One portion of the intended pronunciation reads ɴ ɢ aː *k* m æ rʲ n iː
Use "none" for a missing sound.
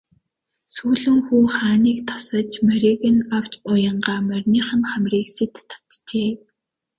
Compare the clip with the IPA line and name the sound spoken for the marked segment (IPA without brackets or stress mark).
none